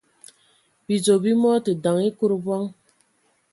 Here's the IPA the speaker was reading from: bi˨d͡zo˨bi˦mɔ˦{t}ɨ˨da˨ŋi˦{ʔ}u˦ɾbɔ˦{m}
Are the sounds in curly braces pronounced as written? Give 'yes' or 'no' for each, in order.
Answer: yes, no, no

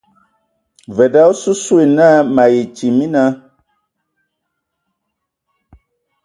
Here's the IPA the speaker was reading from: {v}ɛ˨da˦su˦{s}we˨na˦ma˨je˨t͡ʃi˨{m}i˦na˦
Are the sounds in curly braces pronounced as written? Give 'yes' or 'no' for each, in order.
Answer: yes, yes, yes

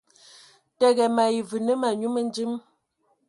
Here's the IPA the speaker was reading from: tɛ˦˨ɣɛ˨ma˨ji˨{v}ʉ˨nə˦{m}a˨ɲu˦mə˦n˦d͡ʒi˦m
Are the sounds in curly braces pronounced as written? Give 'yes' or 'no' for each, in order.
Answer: yes, yes

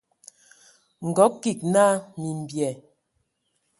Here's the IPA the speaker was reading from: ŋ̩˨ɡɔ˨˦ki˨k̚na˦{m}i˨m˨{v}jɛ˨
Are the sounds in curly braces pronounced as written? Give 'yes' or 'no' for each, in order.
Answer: yes, no

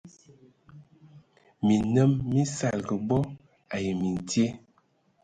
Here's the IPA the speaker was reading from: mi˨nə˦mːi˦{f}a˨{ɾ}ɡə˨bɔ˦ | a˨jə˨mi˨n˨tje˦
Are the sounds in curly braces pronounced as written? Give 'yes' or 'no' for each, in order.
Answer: no, no

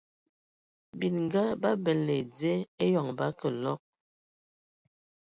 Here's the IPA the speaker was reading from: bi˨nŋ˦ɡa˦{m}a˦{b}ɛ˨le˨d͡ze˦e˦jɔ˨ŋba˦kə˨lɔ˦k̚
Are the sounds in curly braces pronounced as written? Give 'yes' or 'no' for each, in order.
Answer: no, yes

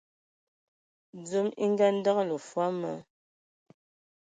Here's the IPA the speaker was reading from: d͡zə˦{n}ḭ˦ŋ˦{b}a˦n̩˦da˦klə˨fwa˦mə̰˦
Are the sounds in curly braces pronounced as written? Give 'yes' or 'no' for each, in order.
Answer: no, no

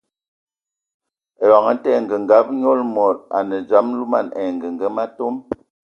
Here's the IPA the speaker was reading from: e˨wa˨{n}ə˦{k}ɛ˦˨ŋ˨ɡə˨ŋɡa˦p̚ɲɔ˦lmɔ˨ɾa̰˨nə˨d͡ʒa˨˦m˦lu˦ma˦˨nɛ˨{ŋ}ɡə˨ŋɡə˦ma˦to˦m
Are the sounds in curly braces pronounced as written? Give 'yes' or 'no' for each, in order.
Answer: no, no, yes

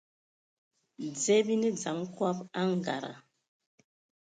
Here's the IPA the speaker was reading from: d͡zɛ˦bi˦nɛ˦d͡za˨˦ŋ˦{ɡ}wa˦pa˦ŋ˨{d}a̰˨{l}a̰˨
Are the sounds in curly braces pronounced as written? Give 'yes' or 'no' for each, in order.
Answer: no, no, no

